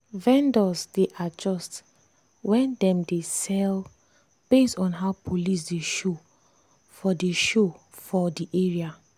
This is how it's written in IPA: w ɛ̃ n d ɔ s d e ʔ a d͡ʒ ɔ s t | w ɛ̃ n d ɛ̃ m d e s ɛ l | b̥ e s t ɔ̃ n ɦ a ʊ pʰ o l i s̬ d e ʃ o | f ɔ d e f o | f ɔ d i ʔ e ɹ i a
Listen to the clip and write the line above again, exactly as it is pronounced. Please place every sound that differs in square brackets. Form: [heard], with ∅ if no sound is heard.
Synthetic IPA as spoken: [v] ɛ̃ n d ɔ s d e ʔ a d͡ʒ ɔ s t | w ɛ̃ n d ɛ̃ m d e s ɛ l | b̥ e s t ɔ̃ n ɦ a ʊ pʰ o l i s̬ d e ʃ o | f ɔ d e [ʃ] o | f ɔ d i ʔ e ɹ i a